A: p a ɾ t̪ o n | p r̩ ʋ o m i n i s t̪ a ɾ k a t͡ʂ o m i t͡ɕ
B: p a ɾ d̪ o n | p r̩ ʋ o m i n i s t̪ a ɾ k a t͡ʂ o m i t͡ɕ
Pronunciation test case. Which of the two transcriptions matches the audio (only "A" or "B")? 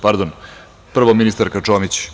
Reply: B